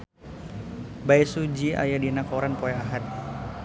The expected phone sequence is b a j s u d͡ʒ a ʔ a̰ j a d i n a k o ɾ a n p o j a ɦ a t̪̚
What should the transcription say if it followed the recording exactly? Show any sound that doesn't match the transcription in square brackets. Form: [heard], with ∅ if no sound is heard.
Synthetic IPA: b a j s u d͡ʒ [i] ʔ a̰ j a d i n a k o ɾ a n p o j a ɦ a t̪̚